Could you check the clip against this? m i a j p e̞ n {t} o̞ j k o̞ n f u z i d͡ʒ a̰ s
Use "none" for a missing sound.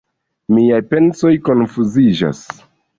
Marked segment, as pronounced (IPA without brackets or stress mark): s